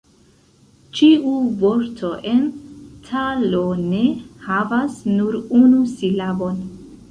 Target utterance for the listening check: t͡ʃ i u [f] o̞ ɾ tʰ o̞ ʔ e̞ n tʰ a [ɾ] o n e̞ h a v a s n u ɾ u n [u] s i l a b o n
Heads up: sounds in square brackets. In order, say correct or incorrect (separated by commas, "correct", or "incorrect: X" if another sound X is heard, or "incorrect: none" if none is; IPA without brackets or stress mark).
incorrect: v, incorrect: l, correct